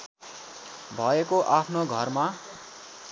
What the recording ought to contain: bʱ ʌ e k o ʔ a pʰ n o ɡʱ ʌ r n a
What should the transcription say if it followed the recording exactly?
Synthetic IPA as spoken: bʱ ʌ e k o ʔ a pʰ n o ɡʱ ʌ r m a

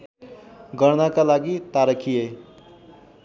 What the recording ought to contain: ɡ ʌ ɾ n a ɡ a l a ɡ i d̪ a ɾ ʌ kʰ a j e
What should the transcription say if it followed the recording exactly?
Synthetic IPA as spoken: ɡ ʌ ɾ n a k a l a ɡ i t̪ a ɾ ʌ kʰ i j e

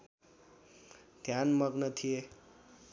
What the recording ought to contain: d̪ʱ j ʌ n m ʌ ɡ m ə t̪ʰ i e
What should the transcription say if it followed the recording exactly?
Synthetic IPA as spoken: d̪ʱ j a n m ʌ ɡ n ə t̪ʰ i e

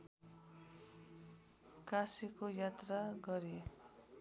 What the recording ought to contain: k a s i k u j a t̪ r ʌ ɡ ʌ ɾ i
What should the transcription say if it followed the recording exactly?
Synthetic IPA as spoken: k a s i k o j a t̪ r a ɡ ʌ ɾ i

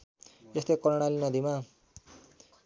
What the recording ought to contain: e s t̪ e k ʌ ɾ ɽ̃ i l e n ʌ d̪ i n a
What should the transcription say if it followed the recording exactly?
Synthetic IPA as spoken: e s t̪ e k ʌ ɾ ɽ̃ a l i n ʌ d̪ i m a

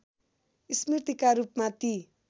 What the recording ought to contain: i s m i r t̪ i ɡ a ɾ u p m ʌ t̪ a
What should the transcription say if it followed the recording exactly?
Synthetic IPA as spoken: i s m i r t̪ i k a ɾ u p m a t̪ i

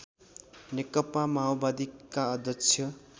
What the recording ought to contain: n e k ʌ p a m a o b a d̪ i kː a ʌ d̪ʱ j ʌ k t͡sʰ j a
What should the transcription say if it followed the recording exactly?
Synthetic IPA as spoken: n e k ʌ p a m a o b a d̪ i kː a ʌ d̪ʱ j ʌ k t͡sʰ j ʌ

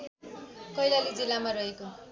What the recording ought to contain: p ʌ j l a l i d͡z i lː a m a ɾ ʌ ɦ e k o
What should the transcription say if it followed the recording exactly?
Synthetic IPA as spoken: k ʌ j l a l i d͡z i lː a m a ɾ ʌ ɦ e k o

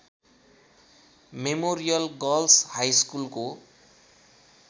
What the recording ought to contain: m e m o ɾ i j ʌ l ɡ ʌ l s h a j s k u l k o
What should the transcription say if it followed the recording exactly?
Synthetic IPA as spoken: m e m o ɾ i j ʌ l ɡ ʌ l s h a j s k u l k o

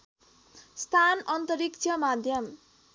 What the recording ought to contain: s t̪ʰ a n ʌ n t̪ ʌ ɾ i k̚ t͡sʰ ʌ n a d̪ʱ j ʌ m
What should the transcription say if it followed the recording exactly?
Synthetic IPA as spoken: s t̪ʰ a n ʌ n t̪ ʌ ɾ i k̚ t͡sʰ ʌ m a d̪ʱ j ʌ m

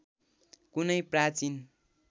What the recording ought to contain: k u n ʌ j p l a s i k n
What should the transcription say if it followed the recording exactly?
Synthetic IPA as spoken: k u n ʌ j p r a t͡s i n

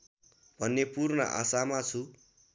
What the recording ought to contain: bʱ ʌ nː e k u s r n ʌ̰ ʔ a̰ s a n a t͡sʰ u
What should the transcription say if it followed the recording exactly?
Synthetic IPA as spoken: bʱ ʌ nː e p u r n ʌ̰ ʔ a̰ s a m a t͡sʰ u

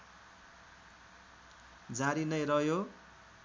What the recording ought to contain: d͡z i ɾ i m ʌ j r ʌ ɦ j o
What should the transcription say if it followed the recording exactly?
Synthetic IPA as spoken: d͡z a ɾ i n ʌ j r ʌ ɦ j o

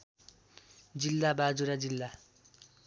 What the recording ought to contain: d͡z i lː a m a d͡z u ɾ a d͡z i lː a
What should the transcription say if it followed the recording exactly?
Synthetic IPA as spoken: d͡z i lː a b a d͡z u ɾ a d͡z i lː a

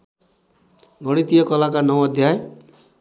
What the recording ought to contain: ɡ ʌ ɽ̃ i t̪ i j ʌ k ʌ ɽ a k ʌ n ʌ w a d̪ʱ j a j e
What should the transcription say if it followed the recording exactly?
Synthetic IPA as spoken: ɡ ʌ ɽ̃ i t̪ i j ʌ k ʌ l a k a n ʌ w ʌ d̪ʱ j a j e

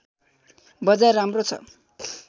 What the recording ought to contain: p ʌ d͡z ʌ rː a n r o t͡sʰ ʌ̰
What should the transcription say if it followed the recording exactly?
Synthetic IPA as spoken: b ʌ d͡z a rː a m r o t͡sʰ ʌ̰

